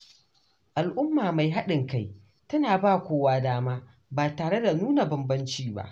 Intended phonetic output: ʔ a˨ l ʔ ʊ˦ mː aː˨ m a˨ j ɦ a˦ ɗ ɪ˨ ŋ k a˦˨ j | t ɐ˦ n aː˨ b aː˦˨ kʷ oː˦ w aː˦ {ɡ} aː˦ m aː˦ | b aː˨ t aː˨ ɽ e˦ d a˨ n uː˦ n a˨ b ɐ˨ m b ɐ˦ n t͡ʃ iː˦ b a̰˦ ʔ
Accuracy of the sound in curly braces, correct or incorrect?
incorrect: d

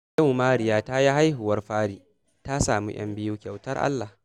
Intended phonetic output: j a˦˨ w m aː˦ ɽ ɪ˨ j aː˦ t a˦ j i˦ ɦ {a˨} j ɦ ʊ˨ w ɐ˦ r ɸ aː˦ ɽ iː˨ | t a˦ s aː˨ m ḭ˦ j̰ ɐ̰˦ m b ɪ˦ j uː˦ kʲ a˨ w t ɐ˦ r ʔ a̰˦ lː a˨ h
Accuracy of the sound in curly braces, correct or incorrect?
incorrect: a˦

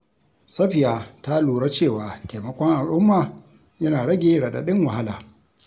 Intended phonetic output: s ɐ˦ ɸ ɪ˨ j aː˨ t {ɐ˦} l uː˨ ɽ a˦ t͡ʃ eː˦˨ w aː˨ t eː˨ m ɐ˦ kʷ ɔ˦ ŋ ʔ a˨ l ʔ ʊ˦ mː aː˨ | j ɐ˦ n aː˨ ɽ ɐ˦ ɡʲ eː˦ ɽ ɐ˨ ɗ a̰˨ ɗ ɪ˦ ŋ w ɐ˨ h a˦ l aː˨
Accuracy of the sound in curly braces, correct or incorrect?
incorrect: a˦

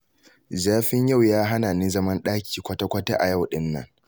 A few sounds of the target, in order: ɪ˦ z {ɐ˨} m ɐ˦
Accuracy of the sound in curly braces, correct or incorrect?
incorrect: ɐ˦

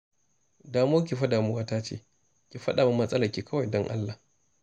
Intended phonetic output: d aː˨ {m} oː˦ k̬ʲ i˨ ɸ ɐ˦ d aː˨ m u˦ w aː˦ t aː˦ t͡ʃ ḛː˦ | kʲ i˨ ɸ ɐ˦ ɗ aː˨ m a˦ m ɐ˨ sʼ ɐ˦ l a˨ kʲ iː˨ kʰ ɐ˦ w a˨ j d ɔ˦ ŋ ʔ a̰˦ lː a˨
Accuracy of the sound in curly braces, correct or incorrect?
correct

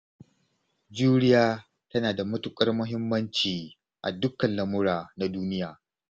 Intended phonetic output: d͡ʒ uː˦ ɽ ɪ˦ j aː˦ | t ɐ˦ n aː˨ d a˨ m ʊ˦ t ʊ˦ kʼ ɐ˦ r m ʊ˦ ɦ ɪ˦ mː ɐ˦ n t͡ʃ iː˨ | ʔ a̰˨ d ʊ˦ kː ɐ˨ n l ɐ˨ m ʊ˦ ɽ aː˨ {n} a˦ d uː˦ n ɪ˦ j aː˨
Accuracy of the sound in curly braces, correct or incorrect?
correct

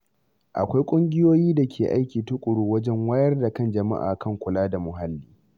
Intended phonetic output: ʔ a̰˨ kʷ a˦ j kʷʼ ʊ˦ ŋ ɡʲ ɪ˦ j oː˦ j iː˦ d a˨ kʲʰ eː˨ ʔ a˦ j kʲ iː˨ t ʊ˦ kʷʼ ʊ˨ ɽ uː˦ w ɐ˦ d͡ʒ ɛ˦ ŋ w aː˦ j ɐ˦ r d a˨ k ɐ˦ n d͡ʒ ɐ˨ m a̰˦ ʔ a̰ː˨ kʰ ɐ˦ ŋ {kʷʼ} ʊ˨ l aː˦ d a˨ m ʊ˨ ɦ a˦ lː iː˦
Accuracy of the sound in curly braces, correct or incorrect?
incorrect: kʷ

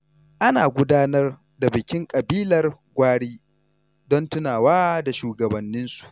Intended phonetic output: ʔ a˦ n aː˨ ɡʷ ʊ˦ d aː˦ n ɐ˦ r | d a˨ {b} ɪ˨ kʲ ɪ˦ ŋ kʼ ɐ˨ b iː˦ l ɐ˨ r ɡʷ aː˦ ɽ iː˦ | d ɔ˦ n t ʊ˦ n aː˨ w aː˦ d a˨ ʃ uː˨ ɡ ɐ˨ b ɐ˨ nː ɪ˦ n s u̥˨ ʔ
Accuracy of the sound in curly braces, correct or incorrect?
correct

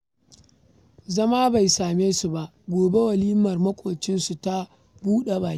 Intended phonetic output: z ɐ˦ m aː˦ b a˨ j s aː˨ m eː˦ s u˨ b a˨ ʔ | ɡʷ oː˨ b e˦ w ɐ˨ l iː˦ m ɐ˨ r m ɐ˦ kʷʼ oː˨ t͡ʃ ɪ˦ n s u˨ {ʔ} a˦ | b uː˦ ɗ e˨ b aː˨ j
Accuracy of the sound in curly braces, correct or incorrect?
incorrect: t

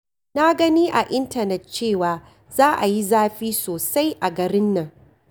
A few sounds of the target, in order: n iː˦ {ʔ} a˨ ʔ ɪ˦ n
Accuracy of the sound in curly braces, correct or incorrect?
correct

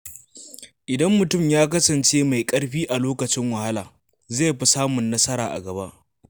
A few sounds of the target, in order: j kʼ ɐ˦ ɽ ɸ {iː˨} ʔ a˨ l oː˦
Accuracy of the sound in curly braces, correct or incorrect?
incorrect: iː˦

